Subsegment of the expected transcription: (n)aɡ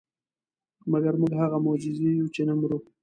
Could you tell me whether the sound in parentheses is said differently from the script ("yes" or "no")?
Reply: yes